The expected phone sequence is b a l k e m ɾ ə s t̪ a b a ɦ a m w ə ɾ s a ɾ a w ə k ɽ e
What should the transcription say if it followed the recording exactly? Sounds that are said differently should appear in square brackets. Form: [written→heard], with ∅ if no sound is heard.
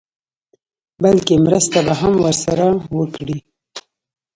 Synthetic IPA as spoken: b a l k e m ɾ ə s t̪ a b a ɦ a m w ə ɾ s a ɾ a w ə k ɽ [e→i]